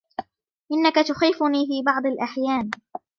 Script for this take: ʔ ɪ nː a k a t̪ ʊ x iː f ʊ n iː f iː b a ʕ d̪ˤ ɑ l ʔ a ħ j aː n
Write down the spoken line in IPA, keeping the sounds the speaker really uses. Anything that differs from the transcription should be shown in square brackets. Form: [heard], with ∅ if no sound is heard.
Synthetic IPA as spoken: ʔ ɪ nː a k a t̪ ʊ x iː f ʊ n iː f iː b [ɑ] ʕ d̪ˤ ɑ l ʔ a ħ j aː n